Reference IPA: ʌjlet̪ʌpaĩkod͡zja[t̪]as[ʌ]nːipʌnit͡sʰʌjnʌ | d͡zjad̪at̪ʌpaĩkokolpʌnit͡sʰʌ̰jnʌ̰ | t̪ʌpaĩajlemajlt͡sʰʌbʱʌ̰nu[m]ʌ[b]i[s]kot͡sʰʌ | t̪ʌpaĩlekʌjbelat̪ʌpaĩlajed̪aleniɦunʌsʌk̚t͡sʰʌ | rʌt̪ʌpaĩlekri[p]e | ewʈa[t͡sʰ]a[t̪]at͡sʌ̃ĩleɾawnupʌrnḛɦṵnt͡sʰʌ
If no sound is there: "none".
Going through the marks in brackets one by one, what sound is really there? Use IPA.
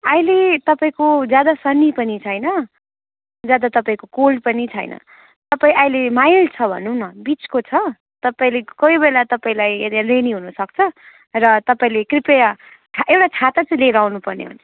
d̪, ʌ, n, b, t͡s, p, t͡sʰ, t̪

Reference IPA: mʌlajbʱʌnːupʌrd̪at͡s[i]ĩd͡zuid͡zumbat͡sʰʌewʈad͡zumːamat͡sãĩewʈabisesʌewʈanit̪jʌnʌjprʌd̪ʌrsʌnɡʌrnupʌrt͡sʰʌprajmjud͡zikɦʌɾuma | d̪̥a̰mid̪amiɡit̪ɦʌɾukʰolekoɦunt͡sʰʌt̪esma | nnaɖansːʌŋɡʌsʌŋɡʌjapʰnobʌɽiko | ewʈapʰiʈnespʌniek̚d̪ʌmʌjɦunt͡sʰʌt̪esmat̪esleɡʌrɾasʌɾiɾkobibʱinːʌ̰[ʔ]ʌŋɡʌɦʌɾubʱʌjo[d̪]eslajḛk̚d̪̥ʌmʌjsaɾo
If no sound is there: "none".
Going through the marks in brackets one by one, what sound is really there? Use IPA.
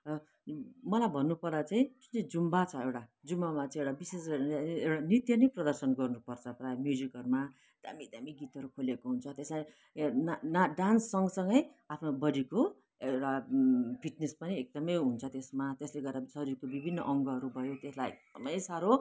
a, ʔ, t̪

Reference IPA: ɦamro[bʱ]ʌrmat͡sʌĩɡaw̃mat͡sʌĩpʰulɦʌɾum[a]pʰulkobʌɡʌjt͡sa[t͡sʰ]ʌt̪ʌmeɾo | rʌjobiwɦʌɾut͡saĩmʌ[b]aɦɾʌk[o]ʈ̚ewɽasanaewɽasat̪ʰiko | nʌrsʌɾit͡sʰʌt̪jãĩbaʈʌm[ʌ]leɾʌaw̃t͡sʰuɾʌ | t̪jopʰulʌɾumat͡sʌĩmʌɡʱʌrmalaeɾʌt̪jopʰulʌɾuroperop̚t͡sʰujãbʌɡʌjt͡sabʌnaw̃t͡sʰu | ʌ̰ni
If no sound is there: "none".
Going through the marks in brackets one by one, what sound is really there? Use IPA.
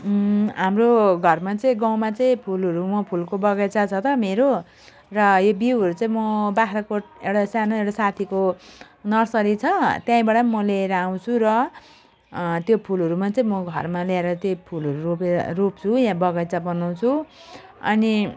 ɡʱ, ʌ, t͡sʰ, b, o, ʌ

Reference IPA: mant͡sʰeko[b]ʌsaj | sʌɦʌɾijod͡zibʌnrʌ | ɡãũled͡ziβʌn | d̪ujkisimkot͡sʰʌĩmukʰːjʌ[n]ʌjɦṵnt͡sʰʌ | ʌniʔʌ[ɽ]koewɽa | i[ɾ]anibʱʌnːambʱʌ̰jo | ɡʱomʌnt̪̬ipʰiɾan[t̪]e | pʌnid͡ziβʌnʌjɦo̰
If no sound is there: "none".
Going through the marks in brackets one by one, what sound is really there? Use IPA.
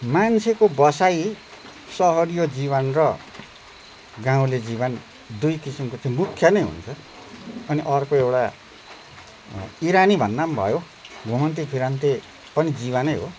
b, n, r, ɾ, t̪

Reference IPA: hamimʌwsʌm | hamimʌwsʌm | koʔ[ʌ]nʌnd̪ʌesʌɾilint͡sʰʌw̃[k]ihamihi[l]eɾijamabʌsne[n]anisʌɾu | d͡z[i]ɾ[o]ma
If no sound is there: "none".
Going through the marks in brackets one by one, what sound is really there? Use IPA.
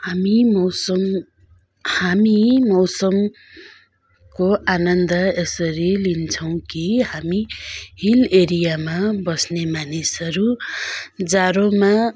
a, k, l, m, a, o

